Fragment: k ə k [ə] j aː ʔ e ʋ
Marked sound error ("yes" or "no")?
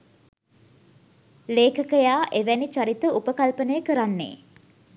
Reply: no